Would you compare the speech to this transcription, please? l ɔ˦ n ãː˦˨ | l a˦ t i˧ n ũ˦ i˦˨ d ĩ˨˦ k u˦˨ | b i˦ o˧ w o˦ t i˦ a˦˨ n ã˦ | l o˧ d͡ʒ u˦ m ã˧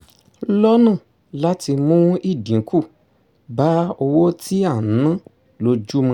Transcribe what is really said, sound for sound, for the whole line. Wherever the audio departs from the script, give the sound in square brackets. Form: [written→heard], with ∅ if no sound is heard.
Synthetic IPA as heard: l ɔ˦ n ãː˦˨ | l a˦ t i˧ [n→m] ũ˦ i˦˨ d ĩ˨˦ k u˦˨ | b [i˦→a˦] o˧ w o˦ t i˦ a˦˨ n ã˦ | l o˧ d͡ʒ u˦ m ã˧

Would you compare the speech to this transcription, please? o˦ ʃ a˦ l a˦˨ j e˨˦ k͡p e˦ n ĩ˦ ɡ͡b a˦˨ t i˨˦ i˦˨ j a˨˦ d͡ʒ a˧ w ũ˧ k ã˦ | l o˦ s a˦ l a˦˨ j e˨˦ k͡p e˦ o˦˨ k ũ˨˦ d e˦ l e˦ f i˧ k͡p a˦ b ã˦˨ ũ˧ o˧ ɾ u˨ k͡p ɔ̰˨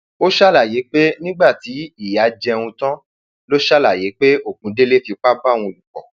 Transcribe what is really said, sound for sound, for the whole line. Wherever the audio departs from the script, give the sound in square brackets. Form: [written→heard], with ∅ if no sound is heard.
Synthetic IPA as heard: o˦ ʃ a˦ l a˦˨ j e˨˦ k͡p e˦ n ĩ˦ ɡ͡b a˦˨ t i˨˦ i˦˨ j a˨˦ d͡ʒ [a˧→ɛ˧] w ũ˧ [k→t] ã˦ | l o˦ [s→ʃ] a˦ l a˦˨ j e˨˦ k͡p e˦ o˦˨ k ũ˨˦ d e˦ l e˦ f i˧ k͡p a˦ b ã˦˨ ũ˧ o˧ [ɾ→l] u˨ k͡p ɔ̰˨

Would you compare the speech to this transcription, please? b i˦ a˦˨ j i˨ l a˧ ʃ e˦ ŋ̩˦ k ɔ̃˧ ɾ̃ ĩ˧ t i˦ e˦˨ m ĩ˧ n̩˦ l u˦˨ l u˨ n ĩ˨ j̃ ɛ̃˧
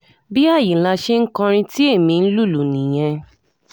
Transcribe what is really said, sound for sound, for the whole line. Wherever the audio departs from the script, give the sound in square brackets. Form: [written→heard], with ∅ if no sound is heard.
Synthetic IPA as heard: b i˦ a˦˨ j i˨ l a˧ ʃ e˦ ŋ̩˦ k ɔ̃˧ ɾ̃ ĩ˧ t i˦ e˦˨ m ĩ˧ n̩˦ l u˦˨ l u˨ n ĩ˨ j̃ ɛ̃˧

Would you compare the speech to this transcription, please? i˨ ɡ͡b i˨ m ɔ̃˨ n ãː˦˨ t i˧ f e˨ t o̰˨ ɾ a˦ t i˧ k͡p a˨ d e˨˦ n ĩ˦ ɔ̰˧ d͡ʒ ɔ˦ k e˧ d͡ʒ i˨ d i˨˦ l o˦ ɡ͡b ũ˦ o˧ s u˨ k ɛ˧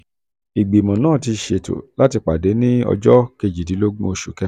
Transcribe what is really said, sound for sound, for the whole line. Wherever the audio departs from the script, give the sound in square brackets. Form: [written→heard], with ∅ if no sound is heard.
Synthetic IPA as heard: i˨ ɡ͡b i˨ m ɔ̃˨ n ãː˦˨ t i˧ [f→ʃ] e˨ t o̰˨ [ɾ→l] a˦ t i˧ k͡p a˨ d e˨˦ n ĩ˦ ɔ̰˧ d͡ʒ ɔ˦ k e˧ d͡ʒ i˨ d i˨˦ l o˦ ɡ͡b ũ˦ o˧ [s→ʃ] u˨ k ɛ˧

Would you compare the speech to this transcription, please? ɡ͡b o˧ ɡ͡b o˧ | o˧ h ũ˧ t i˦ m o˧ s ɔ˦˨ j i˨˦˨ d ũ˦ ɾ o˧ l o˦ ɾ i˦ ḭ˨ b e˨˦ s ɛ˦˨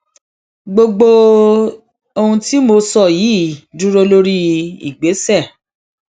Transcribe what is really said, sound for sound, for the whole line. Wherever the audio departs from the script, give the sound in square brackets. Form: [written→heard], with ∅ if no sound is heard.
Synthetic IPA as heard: ɡ͡b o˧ ɡ͡b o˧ | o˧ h ũ˧ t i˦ m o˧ s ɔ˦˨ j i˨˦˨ d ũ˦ ɾ o˧ l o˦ ɾ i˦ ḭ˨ [b→ɡ͡b] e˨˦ s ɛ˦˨

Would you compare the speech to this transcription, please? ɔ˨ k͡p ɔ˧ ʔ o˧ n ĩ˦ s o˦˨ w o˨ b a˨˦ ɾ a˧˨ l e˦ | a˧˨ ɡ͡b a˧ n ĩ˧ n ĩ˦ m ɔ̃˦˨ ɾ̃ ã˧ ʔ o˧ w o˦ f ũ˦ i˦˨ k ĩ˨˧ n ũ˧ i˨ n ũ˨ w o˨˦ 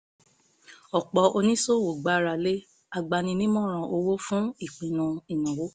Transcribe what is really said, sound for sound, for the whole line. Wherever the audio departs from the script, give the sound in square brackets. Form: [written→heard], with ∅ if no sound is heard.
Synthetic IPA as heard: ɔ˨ k͡p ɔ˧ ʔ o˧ n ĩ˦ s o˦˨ w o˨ [b→ɡ͡b] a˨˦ ɾ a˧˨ l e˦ | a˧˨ ɡ͡b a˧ n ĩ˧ n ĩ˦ m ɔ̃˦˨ ɾ̃ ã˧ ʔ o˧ w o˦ f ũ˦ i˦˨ [k→k͡p] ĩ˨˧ n ũ˧ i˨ n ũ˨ w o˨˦

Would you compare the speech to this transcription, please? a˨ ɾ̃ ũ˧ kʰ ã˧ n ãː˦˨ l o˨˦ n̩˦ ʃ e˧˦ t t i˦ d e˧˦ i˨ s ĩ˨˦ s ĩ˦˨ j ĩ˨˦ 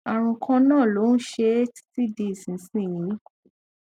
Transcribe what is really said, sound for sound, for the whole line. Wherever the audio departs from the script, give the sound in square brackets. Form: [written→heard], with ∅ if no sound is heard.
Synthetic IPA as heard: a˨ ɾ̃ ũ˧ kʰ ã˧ n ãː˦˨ l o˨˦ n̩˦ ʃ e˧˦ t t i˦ d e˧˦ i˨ s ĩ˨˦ s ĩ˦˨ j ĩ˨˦

